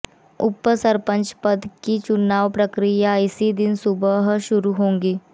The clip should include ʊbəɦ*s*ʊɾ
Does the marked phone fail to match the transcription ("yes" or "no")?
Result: yes